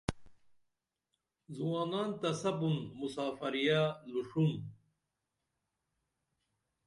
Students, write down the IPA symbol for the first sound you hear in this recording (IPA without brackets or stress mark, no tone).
z